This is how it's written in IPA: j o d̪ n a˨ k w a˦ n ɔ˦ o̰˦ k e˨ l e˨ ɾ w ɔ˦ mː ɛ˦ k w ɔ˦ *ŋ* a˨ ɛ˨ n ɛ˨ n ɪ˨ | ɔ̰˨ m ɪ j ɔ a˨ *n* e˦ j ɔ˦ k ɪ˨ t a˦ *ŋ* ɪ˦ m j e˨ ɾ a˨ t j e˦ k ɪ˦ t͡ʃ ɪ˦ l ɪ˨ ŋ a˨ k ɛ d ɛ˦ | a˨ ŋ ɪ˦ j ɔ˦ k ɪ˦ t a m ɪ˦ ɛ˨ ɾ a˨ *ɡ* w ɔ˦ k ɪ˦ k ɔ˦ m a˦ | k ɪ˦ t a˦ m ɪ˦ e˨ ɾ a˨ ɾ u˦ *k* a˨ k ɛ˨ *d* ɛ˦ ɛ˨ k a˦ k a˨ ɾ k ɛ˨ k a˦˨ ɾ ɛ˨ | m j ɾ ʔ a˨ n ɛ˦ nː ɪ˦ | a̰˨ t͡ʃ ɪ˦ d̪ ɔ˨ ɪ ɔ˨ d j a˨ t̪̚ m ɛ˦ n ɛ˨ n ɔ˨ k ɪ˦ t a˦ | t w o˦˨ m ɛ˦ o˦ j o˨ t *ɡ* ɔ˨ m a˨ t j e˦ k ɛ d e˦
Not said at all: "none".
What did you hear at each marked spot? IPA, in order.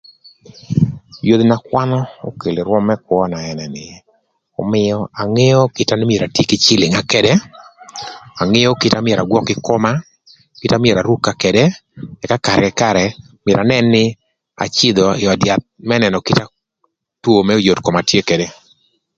n, ŋ, n, ɡ, k, d, k

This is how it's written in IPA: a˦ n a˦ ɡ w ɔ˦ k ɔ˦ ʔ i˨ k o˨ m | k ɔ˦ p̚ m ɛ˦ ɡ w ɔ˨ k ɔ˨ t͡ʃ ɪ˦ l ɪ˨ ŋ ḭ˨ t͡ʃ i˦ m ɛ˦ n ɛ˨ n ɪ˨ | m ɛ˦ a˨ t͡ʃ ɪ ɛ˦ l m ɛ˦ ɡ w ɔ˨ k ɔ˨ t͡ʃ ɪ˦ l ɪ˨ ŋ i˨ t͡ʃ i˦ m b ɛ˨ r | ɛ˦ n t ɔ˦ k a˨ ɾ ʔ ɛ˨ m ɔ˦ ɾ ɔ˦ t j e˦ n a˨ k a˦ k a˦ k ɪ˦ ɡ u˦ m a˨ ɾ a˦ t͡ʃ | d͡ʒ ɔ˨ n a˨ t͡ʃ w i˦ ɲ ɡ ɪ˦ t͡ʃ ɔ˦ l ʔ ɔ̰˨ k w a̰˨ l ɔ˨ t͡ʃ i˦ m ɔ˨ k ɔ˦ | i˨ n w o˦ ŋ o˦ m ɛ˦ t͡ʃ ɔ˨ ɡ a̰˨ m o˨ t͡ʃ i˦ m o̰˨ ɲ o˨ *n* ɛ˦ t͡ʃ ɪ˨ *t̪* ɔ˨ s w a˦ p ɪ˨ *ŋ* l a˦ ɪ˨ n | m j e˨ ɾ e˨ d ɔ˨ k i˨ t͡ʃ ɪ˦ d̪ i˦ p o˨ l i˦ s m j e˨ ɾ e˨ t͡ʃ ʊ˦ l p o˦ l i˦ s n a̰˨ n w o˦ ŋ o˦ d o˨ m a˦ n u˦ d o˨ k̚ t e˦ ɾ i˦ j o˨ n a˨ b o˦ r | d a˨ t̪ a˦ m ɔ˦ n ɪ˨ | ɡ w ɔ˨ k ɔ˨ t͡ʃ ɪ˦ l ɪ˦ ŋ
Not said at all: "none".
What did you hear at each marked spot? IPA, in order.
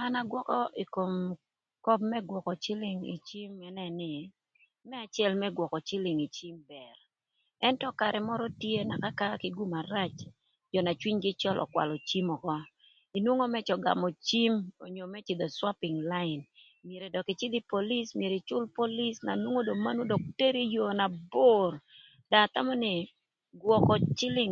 m, d̪, ŋ

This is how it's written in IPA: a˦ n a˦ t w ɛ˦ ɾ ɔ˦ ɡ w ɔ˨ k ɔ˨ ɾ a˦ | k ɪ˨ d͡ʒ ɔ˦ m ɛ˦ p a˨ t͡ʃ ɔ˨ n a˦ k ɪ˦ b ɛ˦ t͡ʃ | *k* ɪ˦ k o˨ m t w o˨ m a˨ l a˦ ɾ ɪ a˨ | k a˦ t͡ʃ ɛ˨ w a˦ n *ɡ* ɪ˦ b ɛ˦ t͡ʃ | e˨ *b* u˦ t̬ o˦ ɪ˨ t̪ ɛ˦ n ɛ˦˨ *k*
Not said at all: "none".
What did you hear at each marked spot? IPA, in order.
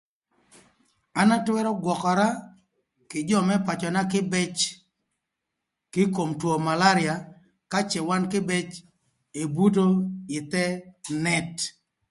k, k, b, t

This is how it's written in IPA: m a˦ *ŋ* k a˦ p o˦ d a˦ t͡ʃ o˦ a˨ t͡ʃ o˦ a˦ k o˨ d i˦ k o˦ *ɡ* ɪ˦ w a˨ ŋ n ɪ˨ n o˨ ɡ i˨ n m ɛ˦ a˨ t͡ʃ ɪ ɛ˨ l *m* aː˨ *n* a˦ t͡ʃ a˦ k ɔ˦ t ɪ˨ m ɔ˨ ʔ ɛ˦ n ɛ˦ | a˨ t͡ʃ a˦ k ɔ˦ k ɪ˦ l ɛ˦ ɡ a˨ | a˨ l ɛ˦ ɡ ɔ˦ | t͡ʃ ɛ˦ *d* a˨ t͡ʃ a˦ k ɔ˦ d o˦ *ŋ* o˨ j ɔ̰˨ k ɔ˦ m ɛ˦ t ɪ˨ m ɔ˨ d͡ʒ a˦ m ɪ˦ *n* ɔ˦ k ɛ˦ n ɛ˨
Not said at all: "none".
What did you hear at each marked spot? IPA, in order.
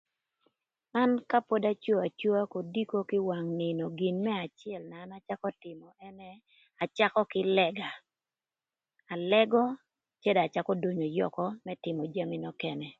n, k, n, n, d, ɲ, n

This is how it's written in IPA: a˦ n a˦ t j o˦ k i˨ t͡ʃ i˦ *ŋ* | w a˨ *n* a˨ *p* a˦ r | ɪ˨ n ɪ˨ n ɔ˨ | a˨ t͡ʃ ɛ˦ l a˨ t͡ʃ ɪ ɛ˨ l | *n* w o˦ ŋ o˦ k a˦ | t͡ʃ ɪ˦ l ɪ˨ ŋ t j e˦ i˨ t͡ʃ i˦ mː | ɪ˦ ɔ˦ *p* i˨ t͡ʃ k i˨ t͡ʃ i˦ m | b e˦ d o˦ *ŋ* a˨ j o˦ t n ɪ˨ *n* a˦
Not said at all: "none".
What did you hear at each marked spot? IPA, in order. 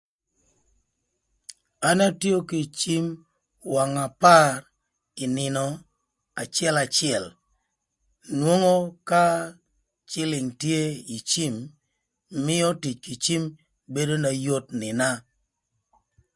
m, ŋ, p, n, t, n, n

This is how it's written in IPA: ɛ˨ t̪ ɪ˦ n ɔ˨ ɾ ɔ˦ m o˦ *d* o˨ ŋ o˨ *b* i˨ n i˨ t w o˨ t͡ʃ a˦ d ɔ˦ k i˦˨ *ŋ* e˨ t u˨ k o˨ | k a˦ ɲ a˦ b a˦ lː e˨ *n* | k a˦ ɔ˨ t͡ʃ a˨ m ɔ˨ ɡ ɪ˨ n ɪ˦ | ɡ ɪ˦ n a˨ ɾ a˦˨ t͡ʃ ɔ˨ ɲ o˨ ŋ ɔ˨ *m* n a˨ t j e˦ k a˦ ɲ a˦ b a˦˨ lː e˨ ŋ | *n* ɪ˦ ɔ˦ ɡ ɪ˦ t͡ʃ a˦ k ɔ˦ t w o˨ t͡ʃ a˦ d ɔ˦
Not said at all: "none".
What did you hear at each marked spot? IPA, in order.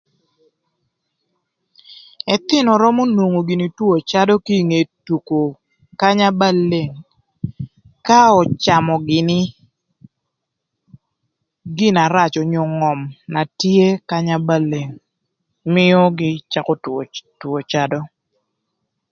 n, ɡ, ŋ, ŋ, m, m

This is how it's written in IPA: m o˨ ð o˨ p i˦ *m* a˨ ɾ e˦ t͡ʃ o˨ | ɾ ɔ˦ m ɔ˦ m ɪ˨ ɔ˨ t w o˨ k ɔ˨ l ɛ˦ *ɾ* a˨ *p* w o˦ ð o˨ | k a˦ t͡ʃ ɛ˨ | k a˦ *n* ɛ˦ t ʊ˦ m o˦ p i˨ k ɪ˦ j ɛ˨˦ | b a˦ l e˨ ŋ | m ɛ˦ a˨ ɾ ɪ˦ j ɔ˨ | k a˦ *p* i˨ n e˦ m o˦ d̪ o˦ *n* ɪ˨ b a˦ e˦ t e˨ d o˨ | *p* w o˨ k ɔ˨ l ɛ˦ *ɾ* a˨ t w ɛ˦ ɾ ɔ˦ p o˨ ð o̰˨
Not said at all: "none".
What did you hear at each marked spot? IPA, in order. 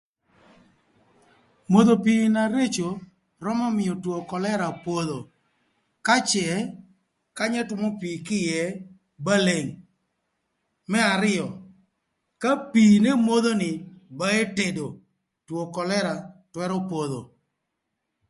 n, ɾ, p, ɲ, p, n, t, ɾ

